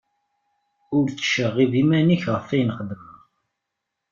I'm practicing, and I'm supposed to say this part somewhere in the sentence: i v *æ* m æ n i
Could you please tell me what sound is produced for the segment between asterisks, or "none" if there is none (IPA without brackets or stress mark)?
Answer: i